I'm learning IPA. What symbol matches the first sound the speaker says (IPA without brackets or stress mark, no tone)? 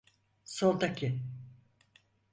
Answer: s